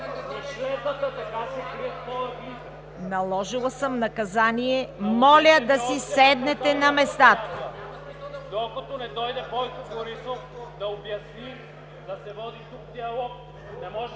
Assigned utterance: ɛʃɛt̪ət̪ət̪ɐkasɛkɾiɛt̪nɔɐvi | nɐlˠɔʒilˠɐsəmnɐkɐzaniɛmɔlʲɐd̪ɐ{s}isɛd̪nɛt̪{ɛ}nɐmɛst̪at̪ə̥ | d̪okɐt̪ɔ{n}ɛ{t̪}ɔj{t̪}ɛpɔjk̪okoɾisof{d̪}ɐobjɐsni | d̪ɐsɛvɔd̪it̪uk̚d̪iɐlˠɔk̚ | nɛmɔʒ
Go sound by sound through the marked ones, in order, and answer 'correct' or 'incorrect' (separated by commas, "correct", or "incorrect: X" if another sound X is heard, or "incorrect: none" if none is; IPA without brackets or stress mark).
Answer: correct, correct, correct, incorrect: d̪, incorrect: d̪, correct